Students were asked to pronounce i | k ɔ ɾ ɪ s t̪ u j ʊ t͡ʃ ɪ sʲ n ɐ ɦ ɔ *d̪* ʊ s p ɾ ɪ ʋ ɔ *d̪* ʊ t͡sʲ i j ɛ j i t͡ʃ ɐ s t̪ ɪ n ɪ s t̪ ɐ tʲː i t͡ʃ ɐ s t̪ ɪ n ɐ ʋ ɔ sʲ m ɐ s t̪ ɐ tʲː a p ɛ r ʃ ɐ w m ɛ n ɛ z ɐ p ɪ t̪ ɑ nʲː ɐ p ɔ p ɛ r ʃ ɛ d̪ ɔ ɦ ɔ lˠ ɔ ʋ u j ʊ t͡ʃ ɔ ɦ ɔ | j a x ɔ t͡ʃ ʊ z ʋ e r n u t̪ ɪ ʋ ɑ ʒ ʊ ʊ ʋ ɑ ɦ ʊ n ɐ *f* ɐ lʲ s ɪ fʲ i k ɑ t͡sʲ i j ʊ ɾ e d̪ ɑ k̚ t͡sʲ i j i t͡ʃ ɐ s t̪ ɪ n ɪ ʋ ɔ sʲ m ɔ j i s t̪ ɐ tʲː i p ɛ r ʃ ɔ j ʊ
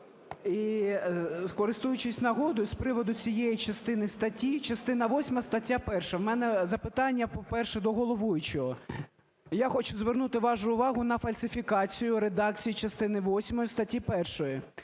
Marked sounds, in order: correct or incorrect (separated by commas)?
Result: correct, correct, correct